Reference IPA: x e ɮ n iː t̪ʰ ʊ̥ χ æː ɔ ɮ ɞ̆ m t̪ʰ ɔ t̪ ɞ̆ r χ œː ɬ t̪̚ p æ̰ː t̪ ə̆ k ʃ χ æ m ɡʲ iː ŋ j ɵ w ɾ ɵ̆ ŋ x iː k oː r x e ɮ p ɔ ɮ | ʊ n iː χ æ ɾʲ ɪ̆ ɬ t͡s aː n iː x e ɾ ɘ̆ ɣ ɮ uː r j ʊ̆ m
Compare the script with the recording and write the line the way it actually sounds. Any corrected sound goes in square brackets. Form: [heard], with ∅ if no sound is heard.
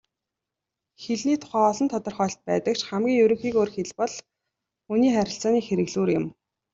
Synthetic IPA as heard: x e ɮ n iː t̪ʰ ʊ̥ χ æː ɔ ɮ ɞ̆ [n] t̪ʰ ɔ t̪ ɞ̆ r χ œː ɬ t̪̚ p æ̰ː t̪ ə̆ k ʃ χ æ m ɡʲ iː ŋ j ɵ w ɾ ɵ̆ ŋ x iː k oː r x e ɮ p ɔ ɮ | [u] n iː χ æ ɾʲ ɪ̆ ɬ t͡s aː n iː x e ɾ ɘ̆ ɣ ɮ uː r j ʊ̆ m

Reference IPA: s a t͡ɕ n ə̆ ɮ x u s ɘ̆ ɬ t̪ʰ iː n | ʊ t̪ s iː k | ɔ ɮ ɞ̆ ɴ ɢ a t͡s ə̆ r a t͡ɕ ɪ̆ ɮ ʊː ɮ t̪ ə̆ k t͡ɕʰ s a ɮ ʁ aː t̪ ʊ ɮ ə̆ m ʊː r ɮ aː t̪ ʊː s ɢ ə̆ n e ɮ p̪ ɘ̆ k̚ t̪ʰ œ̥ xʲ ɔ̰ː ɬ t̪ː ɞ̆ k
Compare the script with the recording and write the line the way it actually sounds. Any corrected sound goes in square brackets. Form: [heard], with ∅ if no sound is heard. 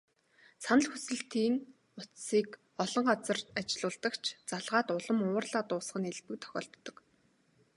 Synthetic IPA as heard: s a [∅] n ə̆ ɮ x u s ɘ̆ ɬ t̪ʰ iː n | ʊ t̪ s iː k | ɔ ɮ ɞ̆ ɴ ɢ a t͡s ə̆ r a t͡ɕ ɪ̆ ɮ ʊː ɮ t̪ ə̆ k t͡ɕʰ [t͡s] a ɮ ʁ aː t̪ ʊ ɮ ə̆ m ʊː r ɮ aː t̪ ʊː s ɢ ə̆ n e ɮ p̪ ɘ̆ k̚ t̪ʰ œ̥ xʲ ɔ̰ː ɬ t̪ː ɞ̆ k

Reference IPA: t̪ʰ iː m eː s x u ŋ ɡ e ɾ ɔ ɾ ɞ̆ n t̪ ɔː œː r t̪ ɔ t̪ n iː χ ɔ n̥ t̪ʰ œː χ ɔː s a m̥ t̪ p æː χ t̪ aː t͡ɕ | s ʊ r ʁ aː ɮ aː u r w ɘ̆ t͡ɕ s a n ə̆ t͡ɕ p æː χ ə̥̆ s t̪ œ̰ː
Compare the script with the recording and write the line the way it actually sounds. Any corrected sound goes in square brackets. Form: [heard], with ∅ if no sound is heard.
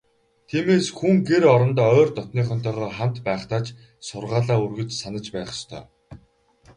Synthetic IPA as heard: t̪ʰ iː m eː s x u ŋ ɡ e ɾ ɔ ɾ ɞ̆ n t̪ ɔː œː r t̪ ɔ t̪ n iː χ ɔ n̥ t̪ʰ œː [ʁ] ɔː [χ] a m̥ t̪ p æː χ t̪ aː t͡ɕ | s ʊ r ʁ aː ɮ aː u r [ɣ] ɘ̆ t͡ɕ s a n ə̆ t͡ɕ p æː χ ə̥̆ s [t̪ʰ] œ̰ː

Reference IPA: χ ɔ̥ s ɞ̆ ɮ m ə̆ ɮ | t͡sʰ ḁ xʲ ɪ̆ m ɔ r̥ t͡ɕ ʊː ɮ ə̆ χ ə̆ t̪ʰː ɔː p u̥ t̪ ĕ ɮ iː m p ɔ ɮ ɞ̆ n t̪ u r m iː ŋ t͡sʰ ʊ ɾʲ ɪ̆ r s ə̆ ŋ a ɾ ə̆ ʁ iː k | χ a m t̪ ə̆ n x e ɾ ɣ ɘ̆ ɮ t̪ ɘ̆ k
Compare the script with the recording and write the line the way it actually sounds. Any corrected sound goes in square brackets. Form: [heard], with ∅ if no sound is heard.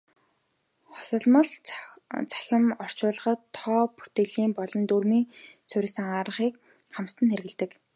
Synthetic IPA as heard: χ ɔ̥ s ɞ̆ ɮ m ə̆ ɮ | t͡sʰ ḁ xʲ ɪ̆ m ɔ r̥ t͡ɕ ʊː ɮ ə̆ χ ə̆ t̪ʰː ɔː p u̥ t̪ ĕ ɮ iː m p ɔ ɮ ɞ̆ n t̪ u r m iː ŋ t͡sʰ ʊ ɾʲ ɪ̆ [∅] s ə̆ ŋ a ɾ ə̆ [χ] iː k | χ a m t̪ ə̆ n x e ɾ ɣ ɘ̆ ɮ t̪ ɘ̆ k

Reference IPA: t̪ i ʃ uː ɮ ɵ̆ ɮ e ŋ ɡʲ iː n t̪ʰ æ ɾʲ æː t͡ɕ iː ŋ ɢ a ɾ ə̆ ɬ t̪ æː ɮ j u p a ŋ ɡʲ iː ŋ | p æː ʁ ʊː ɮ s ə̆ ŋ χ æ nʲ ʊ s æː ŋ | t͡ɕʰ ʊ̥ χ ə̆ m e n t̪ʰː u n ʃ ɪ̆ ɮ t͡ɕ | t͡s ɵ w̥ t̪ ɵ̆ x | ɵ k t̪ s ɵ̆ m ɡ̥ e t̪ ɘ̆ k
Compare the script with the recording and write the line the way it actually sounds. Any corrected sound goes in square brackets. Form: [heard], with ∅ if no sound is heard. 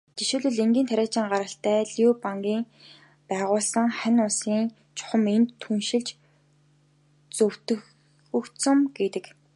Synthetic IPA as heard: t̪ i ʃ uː ɮ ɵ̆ ɮ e ŋ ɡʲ iː n t̪ʰ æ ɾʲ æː t͡ɕ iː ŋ ɢ a ɾ ə̆ ɬ t̪ æː ɮ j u p a ŋ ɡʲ iː ŋ | p æː ʁ ʊː ɮ s ə̆ ŋ χ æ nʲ ʊ s [iː] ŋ | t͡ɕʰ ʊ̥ χ ə̆ m e n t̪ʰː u n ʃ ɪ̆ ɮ t͡ɕ | t͡s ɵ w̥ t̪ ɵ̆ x | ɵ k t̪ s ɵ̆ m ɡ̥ e t̪ ɘ̆ k

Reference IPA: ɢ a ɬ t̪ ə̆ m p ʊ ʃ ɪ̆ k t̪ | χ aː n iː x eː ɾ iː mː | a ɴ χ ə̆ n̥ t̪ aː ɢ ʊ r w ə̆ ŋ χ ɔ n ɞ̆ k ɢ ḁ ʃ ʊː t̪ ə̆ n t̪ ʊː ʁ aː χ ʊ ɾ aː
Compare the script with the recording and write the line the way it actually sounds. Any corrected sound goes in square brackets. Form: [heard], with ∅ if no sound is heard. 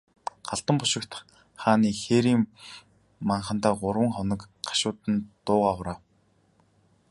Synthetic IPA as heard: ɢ a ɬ t̪ ə̆ m p ʊ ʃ ɪ̆ k t̪ | χ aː n iː x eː ɾ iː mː | a ɴ χ ə̆ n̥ t̪ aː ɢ ʊ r w ə̆ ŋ χ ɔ n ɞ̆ k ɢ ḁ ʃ ʊː t̪ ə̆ n t̪ ʊː ʁ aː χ ʊ ɾ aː

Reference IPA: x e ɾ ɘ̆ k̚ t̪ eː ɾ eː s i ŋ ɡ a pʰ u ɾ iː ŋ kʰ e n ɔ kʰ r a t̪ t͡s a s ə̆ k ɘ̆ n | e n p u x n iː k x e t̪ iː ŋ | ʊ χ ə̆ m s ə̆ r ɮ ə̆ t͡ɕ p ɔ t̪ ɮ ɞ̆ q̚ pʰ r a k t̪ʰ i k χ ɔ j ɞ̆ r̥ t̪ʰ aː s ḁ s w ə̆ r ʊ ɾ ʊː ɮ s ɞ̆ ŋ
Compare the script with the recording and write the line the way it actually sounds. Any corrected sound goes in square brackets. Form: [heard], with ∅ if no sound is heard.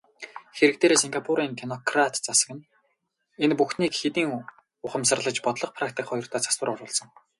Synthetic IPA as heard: x e ɾ ɘ̆ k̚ t̪ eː ɾ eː s i ŋ ɡ a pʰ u ɾ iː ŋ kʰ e n ɔ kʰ r a t̪ t͡s a s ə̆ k ɘ̆ n | e n p u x n iː k x e t̪ iː ŋ | ʊ χ ə̆ m s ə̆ r ɮ ə̆ t͡ɕ p ɔ t̪ ɮ ɞ̆ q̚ pʰ r a k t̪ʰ i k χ ɔ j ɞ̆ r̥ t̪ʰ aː [t͡s] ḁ s w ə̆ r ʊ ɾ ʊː ɮ s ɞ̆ ŋ

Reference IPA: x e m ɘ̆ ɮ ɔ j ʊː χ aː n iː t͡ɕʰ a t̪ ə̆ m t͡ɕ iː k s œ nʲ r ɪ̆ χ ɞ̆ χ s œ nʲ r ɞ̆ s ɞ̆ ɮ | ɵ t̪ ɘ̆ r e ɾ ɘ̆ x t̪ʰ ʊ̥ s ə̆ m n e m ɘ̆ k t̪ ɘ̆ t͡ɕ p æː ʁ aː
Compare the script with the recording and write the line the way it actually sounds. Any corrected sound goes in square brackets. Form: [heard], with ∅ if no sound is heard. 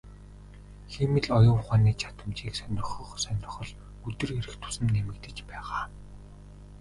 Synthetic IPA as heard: x e m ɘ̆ ɮ ɔ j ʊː χ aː n iː t͡ɕʰ a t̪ ə̆ m t͡ɕ iː k s œ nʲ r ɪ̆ χ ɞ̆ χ s œ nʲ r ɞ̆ [χ] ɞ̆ ɮ | ɵ t̪ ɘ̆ r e ɾ ɘ̆ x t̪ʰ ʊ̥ s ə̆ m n e m ɘ̆ k t̪ ɘ̆ t͡ɕ p æː ʁ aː

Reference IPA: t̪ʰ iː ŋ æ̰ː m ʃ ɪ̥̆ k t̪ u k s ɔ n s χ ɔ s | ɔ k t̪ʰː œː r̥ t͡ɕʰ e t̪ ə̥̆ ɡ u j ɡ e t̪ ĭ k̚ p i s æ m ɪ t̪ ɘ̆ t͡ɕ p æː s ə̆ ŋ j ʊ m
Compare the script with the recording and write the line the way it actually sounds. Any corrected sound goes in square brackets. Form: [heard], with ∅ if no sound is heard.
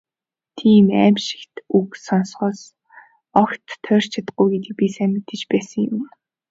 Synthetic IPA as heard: t̪ʰ iː [m] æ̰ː m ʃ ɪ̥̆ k t̪ u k s ɔ n s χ [ɔː] s | ɔ k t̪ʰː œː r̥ t͡ɕʰ [a] t̪ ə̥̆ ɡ u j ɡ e t̪ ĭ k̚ p i s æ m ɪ t̪ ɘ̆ t͡ɕ p æː s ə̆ ŋ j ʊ m

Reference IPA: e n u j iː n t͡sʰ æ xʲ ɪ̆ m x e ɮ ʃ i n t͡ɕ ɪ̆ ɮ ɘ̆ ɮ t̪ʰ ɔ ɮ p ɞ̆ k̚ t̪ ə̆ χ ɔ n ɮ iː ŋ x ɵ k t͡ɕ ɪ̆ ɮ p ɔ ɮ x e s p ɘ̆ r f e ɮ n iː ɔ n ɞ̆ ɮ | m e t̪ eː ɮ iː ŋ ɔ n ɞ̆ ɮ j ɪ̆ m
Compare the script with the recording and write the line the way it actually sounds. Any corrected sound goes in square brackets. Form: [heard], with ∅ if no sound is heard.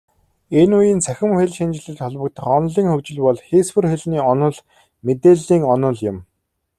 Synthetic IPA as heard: e n u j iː n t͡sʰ æ xʲ ɪ̆ m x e ɮ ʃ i n t͡ɕ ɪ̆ ɮ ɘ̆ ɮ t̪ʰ ɔ ɮ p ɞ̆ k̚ t̪ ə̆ χ ɔ n ɮ iː ŋ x ɵ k t͡ɕ ɪ̆ ɮ p ɔ ɮ x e s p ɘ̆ r [x] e ɮ n iː ɔ n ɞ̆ ɮ | m e t̪ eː ɮ iː ŋ ɔ n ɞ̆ ɮ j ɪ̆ m

